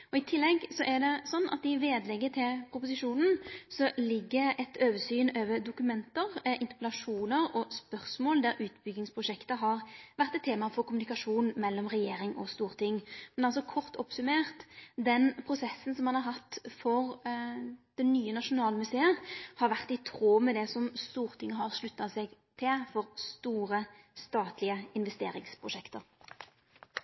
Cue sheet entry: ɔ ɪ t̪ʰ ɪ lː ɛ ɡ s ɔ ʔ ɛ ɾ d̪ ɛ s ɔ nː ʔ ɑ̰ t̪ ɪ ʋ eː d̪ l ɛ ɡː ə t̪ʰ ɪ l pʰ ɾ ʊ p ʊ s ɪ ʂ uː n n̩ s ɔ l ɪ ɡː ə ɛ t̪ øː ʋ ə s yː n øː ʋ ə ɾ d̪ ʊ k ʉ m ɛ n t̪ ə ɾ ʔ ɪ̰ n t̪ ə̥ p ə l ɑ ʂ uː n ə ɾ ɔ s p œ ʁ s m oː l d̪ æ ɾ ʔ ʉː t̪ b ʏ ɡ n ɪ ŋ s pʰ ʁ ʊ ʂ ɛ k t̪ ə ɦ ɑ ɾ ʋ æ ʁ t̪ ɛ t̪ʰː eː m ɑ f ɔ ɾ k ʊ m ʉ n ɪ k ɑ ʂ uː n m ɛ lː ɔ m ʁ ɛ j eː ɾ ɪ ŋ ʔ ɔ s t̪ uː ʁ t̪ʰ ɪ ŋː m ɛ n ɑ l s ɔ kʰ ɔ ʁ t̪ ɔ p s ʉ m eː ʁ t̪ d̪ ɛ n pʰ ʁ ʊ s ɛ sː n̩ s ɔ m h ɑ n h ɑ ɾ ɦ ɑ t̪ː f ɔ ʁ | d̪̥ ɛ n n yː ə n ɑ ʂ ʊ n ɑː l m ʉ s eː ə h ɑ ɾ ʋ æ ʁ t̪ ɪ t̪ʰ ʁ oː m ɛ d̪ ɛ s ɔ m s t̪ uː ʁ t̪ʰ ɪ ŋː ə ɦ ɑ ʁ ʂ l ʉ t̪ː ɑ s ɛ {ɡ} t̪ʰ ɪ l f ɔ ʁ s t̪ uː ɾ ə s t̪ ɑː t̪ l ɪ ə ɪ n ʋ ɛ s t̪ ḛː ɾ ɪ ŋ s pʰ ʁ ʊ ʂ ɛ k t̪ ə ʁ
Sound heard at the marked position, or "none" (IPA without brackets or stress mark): ɡ